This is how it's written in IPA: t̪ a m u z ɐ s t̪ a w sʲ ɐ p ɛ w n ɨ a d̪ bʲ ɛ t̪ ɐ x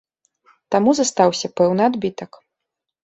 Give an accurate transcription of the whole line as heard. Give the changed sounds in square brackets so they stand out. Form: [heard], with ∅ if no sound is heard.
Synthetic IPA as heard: t̪ a m u z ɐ s t̪ a w sʲ ɐ p ɛ w n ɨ a d̪ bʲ [i] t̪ ɐ [k]